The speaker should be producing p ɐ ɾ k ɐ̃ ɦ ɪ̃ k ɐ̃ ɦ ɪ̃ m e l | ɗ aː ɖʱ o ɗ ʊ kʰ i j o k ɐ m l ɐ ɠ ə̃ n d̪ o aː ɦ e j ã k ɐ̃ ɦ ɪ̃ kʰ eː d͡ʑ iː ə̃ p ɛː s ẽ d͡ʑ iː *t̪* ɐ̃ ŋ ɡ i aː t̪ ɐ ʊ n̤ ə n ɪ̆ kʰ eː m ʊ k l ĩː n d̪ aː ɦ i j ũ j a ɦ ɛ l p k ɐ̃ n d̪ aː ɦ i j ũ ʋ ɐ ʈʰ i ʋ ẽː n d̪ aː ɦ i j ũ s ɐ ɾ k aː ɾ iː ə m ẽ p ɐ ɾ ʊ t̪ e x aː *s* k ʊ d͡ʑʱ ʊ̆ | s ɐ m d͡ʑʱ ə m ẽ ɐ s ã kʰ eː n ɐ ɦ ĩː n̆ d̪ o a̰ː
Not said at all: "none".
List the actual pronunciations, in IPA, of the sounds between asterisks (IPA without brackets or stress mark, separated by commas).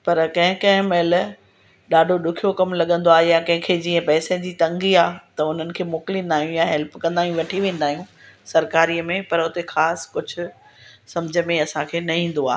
t̪, s